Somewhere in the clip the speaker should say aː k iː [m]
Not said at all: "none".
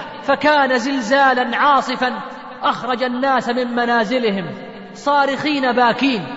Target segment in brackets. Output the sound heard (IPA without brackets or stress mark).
n